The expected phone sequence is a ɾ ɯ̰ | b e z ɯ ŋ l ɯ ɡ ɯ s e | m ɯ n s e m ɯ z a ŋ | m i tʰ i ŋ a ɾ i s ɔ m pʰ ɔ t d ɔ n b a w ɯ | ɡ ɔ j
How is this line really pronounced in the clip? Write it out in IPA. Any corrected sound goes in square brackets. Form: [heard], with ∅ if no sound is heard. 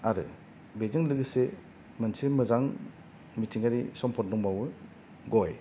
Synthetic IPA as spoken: a ɾ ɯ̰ | b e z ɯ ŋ l ɯ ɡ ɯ s e | m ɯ n s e m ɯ z a ŋ | m i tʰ i ŋ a ɾ i s ɔ m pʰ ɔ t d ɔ [ŋ] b a w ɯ | ɡ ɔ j